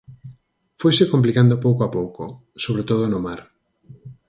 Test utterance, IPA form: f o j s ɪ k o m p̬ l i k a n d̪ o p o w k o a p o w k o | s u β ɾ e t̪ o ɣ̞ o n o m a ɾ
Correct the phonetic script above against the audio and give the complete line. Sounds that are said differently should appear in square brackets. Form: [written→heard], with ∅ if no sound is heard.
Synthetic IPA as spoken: f o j s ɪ k o m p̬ l i k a n d̪ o p o w k o a p o w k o | s [u→o] β ɾ e t̪ o [ɣ̞→ð̞] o n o m a ɾ